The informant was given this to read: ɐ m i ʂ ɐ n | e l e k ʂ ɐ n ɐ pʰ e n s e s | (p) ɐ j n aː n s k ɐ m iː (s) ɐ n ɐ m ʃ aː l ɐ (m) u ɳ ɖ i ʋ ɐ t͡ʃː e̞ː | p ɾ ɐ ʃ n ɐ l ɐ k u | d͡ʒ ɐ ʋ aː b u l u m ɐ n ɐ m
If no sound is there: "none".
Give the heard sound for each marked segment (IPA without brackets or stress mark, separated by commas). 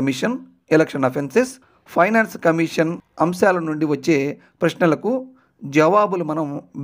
pʰ, ʂ, n